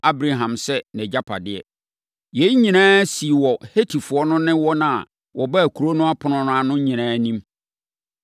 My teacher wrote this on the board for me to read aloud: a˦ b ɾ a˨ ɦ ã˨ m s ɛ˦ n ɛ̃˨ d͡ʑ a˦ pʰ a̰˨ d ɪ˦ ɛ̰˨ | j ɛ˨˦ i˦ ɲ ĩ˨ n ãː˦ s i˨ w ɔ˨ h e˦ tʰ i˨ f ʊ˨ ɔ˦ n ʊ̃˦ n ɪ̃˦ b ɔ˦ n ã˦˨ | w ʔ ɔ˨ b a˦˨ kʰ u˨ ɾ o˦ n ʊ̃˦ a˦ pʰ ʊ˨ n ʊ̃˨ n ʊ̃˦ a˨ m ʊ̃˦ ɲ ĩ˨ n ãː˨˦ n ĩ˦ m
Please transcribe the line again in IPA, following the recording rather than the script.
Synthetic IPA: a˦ b ɾ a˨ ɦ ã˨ m s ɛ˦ n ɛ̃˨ d͡ʑ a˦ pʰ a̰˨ d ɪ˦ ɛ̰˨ | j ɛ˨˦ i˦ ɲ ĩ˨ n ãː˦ s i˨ w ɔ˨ h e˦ tʰ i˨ f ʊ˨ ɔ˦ n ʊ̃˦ n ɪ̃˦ w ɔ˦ n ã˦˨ | w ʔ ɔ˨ b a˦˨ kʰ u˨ ɾ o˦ n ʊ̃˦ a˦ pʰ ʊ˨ n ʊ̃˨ n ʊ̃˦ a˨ n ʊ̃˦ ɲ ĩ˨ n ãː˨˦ n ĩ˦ m